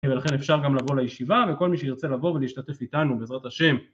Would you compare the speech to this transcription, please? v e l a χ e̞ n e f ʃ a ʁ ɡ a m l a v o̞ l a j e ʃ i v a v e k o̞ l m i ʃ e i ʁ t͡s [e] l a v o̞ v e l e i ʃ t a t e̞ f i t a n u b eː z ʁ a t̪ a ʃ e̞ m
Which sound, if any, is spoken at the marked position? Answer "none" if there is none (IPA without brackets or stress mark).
e